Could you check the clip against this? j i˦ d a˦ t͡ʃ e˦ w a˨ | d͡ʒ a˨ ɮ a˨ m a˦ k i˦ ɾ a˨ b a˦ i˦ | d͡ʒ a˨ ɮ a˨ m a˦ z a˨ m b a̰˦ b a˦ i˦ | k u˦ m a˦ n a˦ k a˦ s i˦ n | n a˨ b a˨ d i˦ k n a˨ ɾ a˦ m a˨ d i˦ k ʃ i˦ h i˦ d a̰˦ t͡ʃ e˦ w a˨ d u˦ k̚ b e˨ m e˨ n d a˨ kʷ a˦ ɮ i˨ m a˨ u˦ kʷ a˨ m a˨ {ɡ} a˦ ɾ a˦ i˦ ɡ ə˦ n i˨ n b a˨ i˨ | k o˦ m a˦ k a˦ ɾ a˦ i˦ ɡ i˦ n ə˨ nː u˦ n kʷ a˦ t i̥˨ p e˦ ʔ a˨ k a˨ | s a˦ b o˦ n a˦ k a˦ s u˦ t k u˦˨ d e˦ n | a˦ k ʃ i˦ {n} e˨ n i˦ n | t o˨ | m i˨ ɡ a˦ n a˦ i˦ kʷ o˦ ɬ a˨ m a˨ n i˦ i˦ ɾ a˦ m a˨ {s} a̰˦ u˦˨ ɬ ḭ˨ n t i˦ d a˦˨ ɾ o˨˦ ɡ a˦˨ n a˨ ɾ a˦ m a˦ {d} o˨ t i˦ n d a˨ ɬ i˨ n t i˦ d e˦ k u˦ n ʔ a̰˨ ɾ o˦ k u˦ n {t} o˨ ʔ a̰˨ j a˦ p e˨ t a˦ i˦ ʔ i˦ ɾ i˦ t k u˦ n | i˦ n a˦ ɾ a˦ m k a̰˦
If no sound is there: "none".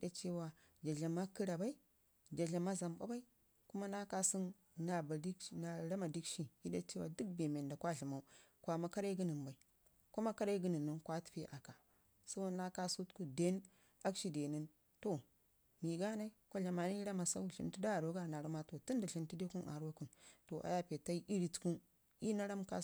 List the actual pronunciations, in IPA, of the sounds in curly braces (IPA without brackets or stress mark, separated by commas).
k, d, s, t, t